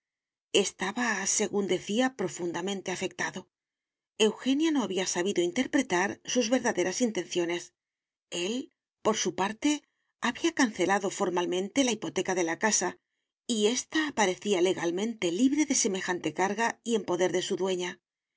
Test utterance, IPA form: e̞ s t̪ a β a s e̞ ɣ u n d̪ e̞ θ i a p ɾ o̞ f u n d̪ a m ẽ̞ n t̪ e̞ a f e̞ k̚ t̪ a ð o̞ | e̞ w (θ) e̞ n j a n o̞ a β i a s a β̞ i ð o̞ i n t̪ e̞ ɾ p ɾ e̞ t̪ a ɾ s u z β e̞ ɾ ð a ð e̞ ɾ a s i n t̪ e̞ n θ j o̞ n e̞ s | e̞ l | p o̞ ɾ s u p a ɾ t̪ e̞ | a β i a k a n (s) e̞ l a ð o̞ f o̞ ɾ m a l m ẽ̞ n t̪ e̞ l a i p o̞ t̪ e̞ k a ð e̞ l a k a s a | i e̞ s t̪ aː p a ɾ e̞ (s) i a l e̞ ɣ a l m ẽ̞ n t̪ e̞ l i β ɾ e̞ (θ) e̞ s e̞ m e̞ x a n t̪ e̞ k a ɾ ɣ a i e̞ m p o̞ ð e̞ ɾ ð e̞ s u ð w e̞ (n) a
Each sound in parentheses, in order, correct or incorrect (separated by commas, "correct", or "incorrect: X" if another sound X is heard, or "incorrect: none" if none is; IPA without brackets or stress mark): incorrect: x, incorrect: θ, incorrect: θ, incorrect: ð, incorrect: ɲ